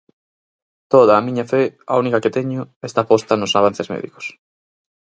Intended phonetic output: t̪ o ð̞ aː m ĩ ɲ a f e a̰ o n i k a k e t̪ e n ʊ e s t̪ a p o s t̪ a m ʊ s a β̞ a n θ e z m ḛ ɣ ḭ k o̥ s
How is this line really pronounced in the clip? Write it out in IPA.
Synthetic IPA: t̪ o ð̞ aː m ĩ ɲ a f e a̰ u n i k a k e t̪ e ɲ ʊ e s t̪ a p o s t̪ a n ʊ s a β̞ a n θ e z m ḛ ð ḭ k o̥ s